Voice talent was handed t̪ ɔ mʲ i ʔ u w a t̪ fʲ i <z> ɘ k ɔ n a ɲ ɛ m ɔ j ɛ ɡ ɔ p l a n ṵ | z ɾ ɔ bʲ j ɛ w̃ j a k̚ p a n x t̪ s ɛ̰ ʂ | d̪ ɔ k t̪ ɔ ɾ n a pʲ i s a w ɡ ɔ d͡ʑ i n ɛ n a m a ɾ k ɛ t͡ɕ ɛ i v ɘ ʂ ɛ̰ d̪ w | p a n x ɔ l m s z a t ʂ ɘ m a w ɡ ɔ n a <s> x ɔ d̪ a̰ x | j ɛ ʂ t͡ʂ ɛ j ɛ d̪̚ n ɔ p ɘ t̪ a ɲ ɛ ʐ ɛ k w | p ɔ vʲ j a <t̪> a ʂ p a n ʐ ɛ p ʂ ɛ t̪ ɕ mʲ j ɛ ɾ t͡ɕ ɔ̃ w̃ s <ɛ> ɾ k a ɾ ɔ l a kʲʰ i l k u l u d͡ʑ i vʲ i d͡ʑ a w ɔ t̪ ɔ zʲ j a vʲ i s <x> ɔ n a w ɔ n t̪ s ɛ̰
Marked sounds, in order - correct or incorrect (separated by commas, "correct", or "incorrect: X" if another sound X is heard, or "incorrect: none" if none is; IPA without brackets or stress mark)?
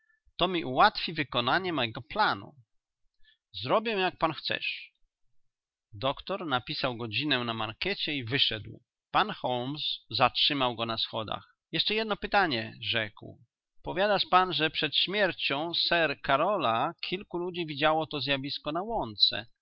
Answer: incorrect: v, correct, incorrect: d̪, correct, incorrect: k